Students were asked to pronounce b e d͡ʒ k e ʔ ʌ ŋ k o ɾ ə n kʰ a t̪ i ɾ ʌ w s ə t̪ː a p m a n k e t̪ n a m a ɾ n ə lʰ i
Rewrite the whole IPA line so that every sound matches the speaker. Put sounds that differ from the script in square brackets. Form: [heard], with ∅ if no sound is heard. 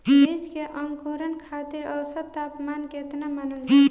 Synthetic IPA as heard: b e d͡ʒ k e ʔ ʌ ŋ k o ɾ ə n kʰ a t̪ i ɾ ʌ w s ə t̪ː a p m a n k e t̪ n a m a [∅] n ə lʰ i